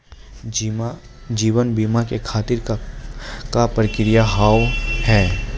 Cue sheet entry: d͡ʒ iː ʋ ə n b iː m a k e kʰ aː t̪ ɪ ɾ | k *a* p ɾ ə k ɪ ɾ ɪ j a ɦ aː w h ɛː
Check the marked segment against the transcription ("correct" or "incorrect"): correct